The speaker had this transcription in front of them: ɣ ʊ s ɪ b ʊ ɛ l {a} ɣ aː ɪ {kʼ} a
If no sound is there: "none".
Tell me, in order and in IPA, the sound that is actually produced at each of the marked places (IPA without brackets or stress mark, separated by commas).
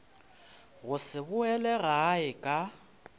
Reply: ɛ, kʼ